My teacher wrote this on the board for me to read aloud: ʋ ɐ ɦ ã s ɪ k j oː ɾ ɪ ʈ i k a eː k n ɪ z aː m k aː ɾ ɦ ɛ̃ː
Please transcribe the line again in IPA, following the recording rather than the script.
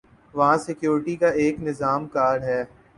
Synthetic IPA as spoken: ʋ ɐ ɦ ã s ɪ k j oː ɾ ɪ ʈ i k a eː k n ɪ z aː m k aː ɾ ɦ ɛː